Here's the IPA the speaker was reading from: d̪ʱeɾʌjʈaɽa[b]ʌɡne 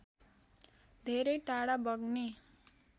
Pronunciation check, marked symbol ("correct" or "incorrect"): correct